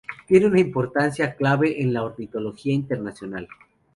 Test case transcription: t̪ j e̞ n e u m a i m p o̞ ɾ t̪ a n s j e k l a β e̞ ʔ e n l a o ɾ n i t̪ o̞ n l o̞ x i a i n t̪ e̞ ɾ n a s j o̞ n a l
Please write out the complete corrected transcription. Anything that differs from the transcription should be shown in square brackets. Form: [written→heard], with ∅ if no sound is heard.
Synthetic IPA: t̪ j e̞ n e u [m→n] a i m p o̞ ɾ t̪ a n s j [e→a] k l a β e̞ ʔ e n l a o ɾ n i t̪ o̞ [n→∅] l o̞ x i a i n t̪ e̞ ɾ n a s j o̞ n a l